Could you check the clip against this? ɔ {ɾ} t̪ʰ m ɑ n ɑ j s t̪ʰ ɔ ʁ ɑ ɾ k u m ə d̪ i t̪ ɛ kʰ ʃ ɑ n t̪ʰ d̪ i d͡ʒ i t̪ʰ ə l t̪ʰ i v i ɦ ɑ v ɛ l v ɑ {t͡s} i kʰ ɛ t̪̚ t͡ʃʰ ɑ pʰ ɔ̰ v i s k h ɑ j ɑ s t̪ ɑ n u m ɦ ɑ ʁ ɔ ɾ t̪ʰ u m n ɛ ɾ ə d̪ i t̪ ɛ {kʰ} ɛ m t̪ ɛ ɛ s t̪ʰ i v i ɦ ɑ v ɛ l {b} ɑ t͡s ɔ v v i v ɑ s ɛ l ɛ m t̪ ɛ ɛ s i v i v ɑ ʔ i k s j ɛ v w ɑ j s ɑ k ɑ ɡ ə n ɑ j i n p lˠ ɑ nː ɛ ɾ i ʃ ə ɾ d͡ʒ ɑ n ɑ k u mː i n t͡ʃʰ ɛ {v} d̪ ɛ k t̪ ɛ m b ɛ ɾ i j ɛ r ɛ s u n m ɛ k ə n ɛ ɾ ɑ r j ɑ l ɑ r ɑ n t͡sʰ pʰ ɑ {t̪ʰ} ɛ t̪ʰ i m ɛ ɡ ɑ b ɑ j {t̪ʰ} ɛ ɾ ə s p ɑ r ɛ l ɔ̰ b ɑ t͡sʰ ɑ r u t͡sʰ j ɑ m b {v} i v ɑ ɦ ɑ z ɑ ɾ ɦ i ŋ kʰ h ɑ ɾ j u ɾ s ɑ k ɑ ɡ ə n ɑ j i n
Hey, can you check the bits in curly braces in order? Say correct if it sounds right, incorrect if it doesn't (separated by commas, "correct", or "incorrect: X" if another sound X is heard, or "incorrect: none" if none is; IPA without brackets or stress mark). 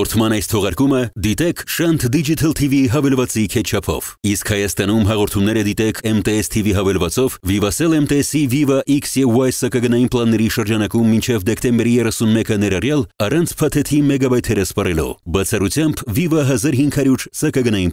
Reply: correct, correct, correct, incorrect: v, correct, correct, correct, correct